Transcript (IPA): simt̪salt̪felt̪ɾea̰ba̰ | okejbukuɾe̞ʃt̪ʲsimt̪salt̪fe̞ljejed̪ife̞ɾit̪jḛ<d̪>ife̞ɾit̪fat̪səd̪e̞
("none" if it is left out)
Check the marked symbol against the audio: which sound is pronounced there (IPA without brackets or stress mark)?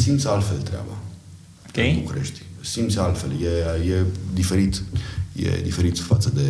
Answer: d̪